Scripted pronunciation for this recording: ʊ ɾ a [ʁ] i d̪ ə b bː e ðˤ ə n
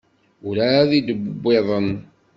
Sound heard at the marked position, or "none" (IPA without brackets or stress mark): ð